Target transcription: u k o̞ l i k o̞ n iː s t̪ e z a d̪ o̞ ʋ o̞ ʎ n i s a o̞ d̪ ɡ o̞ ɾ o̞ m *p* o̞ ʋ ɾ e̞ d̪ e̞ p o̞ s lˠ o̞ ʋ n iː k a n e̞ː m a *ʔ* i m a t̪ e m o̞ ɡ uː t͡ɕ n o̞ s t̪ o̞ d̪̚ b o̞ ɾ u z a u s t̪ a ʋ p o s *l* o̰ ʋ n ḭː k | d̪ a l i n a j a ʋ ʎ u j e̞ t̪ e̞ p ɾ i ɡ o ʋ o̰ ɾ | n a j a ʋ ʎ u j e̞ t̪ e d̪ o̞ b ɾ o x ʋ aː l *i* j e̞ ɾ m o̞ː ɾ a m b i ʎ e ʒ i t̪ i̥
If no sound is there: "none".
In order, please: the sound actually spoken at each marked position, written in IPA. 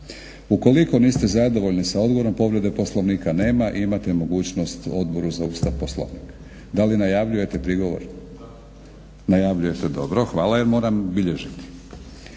p, ʔ, l, a

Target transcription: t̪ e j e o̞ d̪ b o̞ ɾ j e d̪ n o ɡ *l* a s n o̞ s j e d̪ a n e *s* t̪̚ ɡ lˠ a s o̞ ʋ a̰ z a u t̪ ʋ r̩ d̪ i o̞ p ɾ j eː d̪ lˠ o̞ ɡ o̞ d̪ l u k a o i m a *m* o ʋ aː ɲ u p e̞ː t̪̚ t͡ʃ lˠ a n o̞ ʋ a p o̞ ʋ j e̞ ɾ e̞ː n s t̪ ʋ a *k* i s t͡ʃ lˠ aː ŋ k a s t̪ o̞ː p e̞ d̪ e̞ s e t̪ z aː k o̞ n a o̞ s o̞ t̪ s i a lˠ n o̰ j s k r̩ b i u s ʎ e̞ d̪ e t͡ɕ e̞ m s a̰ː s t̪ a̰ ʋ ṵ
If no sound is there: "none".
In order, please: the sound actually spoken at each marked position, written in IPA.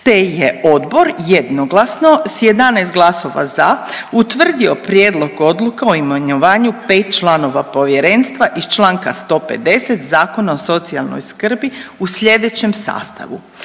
l, s, ɲ, ʔ

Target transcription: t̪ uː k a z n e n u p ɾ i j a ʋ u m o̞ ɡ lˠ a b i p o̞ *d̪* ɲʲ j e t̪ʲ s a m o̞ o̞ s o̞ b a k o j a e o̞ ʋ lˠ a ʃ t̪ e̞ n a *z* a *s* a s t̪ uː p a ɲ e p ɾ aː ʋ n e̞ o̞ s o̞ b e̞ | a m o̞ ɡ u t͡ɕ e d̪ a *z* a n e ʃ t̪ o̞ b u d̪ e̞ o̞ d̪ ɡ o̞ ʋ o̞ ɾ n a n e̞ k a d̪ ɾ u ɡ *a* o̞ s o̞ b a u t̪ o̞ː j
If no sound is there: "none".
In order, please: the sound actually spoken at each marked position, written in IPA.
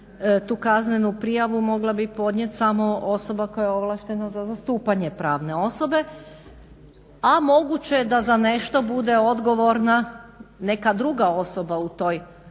d̪, z, z, z, a

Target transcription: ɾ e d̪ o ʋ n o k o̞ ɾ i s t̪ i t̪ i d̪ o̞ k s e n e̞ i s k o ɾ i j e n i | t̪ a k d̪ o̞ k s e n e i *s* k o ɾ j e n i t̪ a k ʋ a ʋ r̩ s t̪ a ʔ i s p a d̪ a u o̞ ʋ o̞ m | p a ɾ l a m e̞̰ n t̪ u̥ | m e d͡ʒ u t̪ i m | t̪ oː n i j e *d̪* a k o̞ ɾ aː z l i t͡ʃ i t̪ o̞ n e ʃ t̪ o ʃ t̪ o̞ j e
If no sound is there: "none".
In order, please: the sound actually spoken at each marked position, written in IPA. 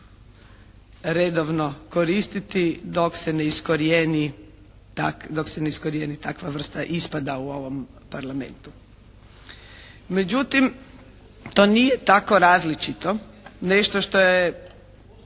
s, t̪

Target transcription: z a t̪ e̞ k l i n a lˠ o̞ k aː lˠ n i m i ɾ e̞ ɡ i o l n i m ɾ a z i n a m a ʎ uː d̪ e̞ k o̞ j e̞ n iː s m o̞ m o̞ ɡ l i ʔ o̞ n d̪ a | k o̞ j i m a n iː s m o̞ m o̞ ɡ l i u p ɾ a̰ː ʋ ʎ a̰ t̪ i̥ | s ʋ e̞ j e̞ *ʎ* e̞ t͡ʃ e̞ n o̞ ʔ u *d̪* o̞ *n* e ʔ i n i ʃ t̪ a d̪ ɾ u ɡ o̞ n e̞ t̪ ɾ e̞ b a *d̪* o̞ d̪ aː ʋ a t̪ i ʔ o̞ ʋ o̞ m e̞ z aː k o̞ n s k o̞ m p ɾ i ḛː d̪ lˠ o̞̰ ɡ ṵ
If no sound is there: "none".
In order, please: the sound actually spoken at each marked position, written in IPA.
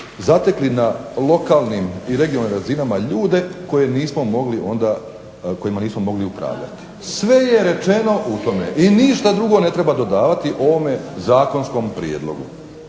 ɾ, t̪, m, d̪

